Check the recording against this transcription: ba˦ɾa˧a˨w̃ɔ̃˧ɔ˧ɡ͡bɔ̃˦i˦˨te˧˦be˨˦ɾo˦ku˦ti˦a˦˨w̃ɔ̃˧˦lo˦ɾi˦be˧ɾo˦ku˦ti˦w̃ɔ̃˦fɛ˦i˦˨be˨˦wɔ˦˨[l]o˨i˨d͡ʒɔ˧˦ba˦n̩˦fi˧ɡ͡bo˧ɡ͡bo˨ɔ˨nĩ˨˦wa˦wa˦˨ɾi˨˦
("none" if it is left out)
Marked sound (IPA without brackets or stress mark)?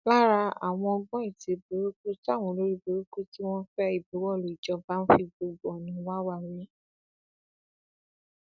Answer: l